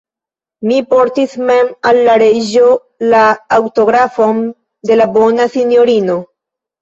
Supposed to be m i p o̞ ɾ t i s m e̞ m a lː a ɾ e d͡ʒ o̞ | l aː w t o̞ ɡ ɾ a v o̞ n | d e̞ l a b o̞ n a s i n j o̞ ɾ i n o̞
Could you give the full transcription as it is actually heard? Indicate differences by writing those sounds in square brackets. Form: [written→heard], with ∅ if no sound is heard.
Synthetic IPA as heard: m i p o̞ ɾ t i s m e̞ m a lː a ɾ e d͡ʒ o̞ | l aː w t o̞ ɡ ɾ a [v→f] o̞ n | d e̞ l a b o̞ n a s i n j o̞ ɾ i n o̞